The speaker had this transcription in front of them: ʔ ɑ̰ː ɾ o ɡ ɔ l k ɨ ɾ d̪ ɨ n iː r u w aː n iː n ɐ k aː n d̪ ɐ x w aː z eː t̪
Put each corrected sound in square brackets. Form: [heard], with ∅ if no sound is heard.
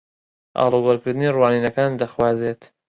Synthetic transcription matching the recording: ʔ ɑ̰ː [l] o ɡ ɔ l k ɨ ɾ d̪ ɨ n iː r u w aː n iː n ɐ k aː n d̪ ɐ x w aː z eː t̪